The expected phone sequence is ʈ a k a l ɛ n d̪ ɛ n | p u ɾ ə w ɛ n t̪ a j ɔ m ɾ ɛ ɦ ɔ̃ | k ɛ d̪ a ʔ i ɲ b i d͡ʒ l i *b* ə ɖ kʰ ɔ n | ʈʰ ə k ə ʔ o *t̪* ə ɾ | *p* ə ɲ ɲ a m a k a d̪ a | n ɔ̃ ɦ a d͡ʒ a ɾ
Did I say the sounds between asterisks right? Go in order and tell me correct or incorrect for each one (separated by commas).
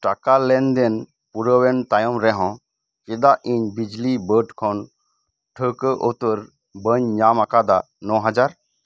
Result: correct, correct, incorrect